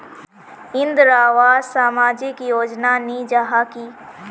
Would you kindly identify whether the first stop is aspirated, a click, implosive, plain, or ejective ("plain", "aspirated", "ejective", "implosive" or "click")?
plain